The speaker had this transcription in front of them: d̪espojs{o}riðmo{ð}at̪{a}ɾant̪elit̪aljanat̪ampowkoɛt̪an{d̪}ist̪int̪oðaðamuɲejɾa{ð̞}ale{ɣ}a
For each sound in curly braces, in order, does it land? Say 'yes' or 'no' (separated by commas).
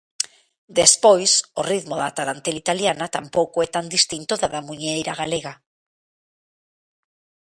yes, yes, yes, yes, no, yes